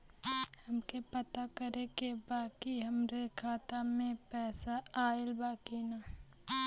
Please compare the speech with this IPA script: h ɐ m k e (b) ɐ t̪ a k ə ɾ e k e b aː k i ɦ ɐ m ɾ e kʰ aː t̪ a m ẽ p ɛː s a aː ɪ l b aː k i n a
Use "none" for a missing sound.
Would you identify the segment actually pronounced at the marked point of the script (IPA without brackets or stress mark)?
p